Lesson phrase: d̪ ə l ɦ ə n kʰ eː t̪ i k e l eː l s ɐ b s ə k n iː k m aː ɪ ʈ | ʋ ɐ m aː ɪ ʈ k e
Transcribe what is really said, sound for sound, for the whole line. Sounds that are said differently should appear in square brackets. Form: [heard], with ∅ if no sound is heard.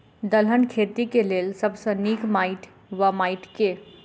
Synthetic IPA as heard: d̪ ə l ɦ ə n kʰ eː t̪ i k e l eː l s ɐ b s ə [∅] n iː k m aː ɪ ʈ | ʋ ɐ m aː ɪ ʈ k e